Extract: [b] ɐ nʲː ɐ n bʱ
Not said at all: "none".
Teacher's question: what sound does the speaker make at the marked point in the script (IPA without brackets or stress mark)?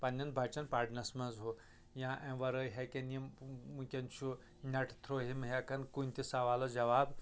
p